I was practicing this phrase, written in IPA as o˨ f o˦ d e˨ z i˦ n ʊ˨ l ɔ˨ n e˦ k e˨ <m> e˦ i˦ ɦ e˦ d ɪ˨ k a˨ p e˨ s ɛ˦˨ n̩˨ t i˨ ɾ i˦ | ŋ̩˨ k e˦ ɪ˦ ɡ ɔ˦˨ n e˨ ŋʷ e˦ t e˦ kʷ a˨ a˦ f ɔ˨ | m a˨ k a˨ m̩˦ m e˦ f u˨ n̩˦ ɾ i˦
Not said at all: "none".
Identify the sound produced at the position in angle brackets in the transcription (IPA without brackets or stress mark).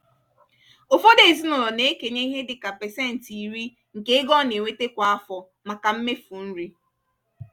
ɲ